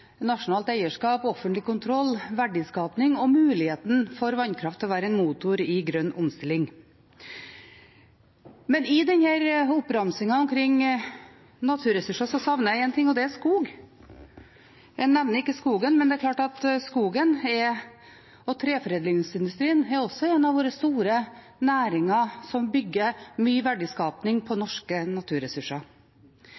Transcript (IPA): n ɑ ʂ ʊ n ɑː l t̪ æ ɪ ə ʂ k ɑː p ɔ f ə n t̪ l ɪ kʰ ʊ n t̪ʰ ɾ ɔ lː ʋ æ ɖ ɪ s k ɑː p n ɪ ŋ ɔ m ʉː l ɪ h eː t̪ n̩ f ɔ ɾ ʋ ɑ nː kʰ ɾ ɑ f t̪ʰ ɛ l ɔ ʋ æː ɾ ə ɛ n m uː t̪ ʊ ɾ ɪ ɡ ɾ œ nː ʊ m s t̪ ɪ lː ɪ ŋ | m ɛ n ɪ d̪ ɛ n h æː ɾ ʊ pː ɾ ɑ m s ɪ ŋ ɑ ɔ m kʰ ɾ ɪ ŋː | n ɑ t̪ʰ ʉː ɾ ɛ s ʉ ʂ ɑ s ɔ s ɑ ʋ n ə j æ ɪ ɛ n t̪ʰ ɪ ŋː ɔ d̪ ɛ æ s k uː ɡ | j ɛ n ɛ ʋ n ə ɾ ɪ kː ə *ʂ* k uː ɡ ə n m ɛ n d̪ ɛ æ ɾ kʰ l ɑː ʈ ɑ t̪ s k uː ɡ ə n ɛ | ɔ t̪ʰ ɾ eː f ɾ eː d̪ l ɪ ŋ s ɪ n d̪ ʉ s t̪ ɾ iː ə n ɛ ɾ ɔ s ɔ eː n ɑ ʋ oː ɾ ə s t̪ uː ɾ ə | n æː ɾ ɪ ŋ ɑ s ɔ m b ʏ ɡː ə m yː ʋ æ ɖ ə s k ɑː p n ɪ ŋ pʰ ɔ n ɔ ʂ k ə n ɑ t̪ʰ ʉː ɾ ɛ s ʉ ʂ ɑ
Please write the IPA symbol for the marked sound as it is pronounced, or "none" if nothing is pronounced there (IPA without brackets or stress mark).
s